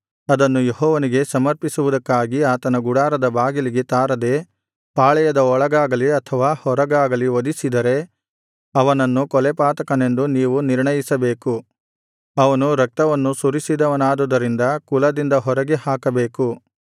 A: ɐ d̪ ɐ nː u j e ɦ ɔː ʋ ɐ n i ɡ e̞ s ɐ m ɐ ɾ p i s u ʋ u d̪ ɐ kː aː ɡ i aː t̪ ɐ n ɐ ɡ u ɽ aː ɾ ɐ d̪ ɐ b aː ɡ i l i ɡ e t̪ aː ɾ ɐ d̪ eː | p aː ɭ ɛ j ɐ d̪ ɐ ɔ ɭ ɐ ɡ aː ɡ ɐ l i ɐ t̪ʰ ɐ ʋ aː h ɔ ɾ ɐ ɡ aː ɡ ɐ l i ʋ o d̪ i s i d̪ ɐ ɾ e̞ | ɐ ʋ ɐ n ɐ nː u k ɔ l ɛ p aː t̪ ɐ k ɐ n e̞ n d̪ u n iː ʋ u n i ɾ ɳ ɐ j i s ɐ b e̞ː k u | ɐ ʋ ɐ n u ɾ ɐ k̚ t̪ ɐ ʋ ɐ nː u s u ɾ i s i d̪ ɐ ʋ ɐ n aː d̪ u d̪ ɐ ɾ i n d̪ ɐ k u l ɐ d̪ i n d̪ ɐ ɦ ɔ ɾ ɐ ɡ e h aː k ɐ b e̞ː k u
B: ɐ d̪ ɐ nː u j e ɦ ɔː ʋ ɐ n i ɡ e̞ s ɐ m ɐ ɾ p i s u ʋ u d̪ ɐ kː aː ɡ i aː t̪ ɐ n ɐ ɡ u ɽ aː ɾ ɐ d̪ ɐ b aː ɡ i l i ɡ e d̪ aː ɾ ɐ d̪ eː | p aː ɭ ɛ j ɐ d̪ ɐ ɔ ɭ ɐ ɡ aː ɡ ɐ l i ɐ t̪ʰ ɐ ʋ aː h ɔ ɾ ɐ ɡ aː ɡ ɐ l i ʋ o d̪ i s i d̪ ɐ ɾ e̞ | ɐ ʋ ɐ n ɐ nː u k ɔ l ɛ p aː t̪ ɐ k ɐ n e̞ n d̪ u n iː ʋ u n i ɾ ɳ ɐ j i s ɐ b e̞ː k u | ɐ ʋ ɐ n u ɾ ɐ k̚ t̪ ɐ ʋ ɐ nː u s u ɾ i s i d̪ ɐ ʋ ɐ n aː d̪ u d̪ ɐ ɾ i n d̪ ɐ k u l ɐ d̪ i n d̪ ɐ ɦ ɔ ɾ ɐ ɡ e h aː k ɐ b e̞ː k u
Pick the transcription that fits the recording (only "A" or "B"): A